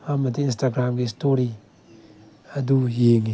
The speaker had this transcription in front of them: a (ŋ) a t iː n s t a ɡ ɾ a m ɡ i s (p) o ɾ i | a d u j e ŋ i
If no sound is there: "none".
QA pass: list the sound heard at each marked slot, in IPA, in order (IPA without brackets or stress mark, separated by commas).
m, t